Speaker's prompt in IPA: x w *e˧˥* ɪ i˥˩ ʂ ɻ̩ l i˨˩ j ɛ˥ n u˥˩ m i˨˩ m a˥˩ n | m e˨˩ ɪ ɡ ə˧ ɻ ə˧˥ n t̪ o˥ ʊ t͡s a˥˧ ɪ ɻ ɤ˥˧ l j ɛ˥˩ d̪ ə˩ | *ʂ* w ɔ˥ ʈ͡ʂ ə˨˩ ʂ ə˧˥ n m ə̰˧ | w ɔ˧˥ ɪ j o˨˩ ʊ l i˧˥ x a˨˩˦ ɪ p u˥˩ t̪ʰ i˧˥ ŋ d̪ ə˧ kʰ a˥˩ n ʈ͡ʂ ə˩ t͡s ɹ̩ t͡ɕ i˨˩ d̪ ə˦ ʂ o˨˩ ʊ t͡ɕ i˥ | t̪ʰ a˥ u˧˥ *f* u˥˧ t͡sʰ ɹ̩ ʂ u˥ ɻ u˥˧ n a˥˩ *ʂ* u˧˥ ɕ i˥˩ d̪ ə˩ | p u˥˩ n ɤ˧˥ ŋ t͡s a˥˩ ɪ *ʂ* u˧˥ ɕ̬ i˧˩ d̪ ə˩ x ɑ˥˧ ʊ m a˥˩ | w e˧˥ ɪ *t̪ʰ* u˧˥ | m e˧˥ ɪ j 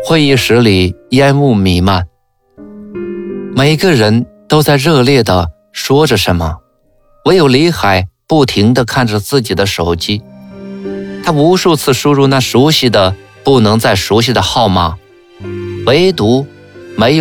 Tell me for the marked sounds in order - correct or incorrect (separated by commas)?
incorrect, correct, incorrect, correct, correct, incorrect